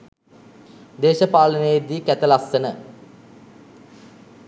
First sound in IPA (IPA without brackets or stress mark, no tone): d̪